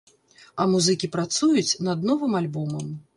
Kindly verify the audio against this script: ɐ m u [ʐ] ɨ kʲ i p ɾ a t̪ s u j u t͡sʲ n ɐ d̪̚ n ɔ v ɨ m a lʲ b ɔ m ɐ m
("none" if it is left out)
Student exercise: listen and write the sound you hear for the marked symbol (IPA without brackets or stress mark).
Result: z